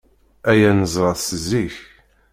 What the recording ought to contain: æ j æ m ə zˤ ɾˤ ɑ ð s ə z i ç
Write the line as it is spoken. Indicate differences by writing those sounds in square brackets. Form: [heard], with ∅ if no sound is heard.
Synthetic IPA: æ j æ [n] ə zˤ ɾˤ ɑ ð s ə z i ç